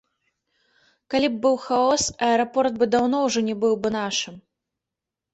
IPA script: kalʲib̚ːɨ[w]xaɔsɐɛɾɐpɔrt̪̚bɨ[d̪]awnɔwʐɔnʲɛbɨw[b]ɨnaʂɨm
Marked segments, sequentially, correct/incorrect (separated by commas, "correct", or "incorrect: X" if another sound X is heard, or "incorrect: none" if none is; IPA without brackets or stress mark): correct, correct, correct